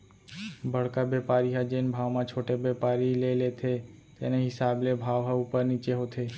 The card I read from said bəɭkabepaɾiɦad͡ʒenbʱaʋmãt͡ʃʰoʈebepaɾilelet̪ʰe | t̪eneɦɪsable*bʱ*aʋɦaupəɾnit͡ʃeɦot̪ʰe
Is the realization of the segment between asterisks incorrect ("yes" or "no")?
no